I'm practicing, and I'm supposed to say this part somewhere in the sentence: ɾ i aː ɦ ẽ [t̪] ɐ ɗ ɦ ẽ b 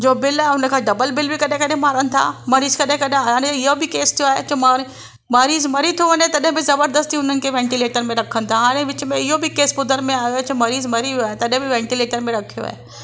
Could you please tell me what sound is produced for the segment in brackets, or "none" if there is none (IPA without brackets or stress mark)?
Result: t̪